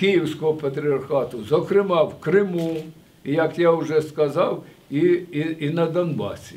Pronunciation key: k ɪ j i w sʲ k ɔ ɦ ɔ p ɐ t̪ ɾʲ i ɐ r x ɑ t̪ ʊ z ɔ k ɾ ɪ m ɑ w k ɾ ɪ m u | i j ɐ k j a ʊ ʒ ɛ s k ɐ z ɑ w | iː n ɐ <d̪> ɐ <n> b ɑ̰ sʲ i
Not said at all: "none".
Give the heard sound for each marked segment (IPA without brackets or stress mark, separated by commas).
d̪, n